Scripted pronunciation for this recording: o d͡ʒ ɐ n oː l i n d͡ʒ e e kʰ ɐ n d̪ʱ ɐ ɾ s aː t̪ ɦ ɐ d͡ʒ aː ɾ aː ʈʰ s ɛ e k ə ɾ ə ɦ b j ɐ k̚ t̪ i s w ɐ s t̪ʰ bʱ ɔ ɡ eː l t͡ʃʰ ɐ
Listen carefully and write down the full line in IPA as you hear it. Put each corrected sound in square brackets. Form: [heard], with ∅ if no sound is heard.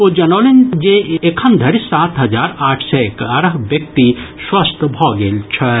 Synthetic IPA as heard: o d͡ʒ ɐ n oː l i n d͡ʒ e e kʰ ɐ n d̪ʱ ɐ ɾ s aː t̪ ɦ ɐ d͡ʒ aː ɾ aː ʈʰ s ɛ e k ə ɾ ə ɦ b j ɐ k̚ t̪ i s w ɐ s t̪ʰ bʱ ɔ ɡ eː l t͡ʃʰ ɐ

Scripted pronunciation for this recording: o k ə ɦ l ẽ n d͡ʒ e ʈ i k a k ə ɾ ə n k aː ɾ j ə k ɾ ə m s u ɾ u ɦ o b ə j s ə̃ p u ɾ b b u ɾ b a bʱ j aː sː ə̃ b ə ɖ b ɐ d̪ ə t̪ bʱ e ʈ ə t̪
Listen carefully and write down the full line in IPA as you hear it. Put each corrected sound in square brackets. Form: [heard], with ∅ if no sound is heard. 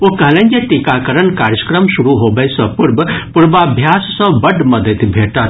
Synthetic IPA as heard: o k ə ɦ l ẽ n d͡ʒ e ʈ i k a k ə ɾ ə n k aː ɾ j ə k ɾ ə m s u ɾ u ɦ o b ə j s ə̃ p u ɾ b [p] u ɾ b a bʱ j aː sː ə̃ b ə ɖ [m] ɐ d̪ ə t̪ bʱ e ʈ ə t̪

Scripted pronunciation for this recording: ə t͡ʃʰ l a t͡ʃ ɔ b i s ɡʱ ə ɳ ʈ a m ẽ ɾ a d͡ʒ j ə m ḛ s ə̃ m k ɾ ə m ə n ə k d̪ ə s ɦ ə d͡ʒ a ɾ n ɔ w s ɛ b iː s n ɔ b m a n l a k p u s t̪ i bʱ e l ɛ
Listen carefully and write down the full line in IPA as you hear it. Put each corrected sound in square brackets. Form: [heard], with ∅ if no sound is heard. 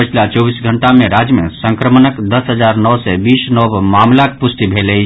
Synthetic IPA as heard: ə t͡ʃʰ l a t͡ʃ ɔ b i s ɡʱ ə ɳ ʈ a m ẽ ɾ a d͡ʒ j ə m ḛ s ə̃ [ŋ] k ɾ ə m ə n ə k d̪ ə s ɦ ə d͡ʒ a ɾ n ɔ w s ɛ b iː s n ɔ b m a [m] l a k p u s t̪ i bʱ e l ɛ

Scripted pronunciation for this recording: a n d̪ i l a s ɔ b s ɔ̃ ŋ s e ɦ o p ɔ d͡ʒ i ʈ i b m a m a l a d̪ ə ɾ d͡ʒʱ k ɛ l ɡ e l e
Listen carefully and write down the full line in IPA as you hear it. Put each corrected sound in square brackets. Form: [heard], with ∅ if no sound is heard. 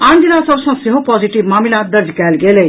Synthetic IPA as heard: a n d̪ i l a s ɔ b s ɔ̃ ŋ s e ɦ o p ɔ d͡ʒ i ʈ i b m a m [i] l a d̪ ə ɾ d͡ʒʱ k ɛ l ɡ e l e

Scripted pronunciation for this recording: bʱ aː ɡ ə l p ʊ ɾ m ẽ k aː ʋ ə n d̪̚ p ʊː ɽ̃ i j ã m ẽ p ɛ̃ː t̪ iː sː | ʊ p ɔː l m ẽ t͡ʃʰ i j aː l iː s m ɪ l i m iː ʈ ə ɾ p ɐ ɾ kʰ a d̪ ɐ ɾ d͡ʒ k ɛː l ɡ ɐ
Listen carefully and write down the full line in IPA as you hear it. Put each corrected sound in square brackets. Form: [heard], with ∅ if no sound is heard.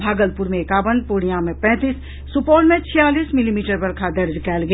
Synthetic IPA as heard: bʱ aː ɡ ə l p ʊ ɾ m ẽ k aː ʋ ə n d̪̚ p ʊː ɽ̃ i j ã m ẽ p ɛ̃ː t̪ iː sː | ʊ p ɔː l m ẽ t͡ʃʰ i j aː l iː s m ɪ l i m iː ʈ ə ɾ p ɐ ɾ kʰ a d̪ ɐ ɾ d͡ʒ k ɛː l ɡ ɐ

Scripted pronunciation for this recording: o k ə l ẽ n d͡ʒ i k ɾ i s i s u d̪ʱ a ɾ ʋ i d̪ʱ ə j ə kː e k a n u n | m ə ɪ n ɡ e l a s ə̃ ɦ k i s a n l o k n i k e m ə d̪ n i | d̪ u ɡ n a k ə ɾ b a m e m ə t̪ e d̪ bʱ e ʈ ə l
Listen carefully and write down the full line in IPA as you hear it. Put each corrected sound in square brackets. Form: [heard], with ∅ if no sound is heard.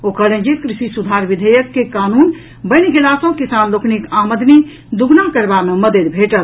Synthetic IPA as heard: o k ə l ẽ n d͡ʒ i k ɾ i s i s u d̪ʱ a ɾ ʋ i d̪ʱ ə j ə kː e k a n u n | [b] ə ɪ n ɡ e l a s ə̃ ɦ k i s a n l o k n i k [a] m ə d̪ n i | d̪ u ɡ n a k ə ɾ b a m e m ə [d̪] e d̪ bʱ e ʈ ə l

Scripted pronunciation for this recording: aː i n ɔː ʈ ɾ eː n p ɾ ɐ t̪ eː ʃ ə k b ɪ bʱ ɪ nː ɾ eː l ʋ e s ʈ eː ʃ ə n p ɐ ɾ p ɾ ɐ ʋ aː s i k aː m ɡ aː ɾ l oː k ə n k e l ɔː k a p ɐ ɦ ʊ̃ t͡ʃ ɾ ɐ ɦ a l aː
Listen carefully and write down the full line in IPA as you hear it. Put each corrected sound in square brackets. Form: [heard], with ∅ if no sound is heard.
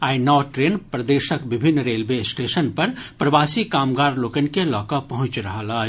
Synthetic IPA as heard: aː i n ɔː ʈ ɾ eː n p ɾ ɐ [d̪] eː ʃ ə k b ɪ bʱ ɪ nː ɾ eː l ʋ e s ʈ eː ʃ ə n p ɐ ɾ p ɾ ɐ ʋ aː s i k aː m ɡ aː ɾ l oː k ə n k e l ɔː k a p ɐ ɦ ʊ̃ t͡ʃ ɾ ɐ ɦ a l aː

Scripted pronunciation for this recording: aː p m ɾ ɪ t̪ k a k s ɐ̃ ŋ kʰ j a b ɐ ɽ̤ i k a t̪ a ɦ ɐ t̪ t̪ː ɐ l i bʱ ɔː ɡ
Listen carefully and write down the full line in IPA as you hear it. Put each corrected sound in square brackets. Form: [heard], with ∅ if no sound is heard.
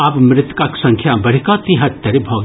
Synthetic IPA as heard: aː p m ɾ ɪ t̪ k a k s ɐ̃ ŋ kʰ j a b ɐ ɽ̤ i k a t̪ [i] ɦ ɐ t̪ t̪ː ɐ [ɾ] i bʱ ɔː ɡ

